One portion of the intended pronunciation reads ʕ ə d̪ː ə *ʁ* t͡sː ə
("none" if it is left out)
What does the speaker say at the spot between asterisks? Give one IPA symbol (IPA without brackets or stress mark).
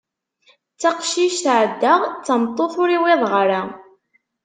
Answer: ʁ